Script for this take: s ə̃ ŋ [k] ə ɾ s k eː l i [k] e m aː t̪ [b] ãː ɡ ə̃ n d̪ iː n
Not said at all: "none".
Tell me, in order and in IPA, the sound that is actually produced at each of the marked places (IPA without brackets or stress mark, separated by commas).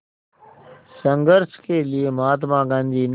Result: ɡ, none, m